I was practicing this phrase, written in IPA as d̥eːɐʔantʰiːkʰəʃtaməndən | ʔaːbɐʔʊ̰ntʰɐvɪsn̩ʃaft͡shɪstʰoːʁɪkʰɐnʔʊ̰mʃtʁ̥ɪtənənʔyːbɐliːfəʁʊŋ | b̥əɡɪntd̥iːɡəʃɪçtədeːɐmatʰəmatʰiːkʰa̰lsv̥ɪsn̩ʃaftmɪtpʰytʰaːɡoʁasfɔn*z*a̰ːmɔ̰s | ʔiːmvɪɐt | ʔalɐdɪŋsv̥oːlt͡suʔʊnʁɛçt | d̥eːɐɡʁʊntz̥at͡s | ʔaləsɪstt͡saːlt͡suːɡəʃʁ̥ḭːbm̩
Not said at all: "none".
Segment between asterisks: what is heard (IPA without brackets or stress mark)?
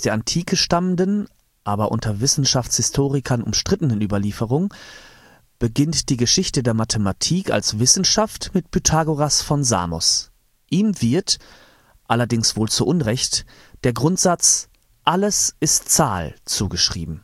z